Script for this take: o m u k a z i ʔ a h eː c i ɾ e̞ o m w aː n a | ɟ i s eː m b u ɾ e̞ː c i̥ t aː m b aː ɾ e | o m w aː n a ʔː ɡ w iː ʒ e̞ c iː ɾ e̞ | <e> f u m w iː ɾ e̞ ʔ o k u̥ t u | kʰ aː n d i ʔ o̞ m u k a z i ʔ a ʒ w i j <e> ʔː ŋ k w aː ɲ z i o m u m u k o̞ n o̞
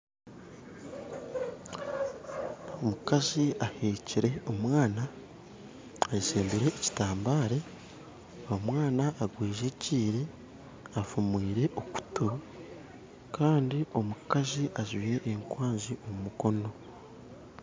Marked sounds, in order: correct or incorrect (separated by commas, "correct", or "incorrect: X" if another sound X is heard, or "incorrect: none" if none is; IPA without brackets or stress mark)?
incorrect: a, correct